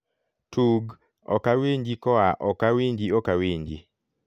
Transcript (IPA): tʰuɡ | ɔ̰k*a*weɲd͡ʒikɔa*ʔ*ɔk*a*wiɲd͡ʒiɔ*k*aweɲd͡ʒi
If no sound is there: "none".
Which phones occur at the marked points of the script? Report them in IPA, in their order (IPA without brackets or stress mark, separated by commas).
a, ʔ, a, k